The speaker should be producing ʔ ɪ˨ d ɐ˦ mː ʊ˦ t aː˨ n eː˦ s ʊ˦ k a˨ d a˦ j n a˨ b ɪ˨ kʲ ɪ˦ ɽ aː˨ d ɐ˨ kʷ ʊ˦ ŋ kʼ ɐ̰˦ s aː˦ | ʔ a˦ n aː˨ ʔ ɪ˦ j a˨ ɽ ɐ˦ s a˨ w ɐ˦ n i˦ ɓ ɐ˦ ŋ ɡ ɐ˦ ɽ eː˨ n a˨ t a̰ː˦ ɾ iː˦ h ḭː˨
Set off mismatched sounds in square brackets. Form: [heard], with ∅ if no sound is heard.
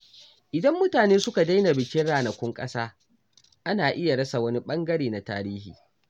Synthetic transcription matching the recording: ʔ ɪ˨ d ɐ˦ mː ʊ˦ t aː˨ n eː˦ s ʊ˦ k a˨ d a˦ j n a˨ b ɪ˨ kʲ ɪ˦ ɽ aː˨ [n] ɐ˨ kʷ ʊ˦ ŋ kʼ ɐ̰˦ s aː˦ | ʔ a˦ n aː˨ ʔ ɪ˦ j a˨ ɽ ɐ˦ s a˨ w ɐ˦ n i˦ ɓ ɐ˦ ŋ ɡ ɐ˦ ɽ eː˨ n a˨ t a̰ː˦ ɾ iː˦ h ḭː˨